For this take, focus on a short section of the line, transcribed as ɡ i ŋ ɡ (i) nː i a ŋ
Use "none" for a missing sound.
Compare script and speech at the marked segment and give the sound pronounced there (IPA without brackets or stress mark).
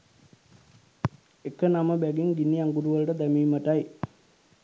i